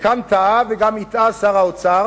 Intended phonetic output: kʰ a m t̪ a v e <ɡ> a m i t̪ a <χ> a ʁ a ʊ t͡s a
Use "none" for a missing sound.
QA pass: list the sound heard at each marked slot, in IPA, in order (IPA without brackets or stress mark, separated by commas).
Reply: ɡ, s